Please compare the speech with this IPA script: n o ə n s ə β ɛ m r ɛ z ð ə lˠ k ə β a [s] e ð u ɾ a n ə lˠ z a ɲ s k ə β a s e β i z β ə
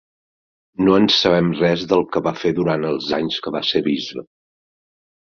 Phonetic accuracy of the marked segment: incorrect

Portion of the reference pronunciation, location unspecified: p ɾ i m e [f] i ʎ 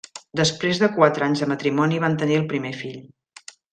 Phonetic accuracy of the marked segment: correct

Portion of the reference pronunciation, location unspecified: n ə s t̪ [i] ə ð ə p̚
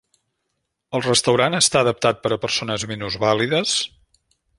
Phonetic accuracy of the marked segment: incorrect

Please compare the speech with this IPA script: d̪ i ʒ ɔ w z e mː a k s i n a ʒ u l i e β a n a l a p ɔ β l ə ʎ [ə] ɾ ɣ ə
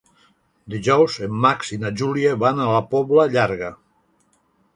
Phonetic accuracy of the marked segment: incorrect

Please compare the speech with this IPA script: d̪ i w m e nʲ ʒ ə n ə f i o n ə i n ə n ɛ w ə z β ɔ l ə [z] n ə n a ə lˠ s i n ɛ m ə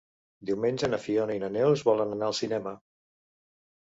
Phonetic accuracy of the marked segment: incorrect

